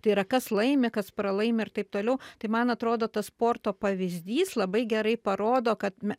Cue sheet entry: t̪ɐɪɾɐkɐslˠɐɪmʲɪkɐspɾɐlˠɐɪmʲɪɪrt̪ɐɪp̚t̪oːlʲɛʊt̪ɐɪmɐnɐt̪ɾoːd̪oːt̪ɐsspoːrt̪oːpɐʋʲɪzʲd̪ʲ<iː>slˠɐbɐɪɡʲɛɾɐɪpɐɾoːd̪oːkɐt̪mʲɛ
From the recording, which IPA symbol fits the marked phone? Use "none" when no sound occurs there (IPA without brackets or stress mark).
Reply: iː